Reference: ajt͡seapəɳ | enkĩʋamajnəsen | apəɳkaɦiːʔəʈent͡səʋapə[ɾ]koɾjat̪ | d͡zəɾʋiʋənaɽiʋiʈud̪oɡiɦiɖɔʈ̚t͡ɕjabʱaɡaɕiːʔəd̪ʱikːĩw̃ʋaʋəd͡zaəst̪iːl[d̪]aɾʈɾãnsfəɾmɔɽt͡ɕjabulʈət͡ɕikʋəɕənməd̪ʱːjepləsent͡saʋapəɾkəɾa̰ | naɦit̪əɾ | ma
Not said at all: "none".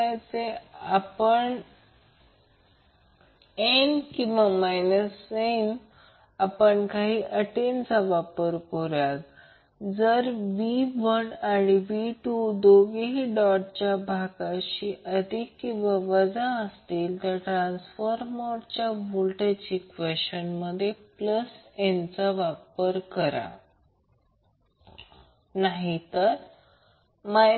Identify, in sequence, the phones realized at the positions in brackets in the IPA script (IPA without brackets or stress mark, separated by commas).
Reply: ɾ, t̪